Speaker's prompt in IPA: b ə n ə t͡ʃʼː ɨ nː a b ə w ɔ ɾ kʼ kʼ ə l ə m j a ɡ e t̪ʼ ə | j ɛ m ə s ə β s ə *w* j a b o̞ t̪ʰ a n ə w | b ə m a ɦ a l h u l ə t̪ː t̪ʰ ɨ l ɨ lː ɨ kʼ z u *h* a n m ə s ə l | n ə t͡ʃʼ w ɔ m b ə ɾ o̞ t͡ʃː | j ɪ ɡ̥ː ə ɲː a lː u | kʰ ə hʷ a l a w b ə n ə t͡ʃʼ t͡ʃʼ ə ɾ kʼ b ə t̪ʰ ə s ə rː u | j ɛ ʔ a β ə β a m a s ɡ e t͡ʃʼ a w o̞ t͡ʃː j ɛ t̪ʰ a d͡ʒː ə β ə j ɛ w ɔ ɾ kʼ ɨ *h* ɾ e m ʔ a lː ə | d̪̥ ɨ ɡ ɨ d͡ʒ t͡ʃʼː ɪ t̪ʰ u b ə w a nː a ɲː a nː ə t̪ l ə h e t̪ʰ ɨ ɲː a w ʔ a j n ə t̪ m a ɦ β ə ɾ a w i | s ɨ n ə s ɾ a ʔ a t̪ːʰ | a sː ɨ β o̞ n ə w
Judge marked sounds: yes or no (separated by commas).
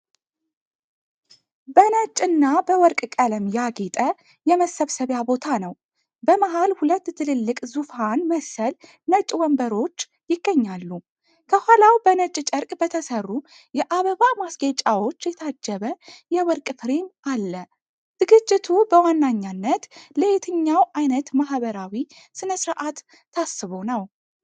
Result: no, no, no